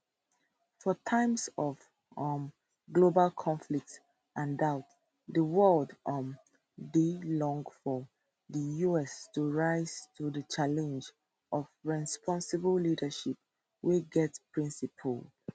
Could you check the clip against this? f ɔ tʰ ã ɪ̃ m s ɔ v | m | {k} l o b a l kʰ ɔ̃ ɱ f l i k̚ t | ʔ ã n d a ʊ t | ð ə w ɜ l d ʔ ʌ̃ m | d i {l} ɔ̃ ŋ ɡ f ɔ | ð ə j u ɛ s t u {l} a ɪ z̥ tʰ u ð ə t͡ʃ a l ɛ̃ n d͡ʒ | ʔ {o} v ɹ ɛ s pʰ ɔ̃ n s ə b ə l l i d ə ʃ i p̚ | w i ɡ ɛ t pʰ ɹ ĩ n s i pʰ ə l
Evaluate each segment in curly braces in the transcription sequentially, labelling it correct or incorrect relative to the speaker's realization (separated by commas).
incorrect, correct, incorrect, incorrect